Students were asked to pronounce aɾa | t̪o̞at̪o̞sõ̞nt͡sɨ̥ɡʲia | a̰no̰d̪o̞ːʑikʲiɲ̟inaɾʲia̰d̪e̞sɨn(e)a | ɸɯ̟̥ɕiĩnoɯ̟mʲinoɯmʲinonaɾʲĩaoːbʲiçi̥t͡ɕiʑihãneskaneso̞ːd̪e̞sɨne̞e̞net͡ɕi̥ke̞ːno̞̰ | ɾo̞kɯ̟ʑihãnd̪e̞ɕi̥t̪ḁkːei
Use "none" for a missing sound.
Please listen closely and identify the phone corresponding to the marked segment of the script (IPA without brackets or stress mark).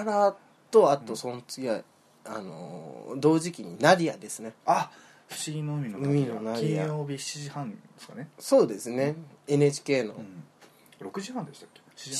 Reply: e